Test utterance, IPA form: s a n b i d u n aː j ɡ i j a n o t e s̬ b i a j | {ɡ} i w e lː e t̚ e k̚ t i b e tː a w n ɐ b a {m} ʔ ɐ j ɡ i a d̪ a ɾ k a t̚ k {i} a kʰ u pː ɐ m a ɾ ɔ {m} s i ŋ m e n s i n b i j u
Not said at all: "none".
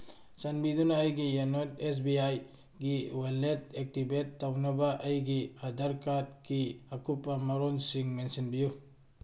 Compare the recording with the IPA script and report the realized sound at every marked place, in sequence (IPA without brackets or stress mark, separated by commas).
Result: ɡ, none, i, n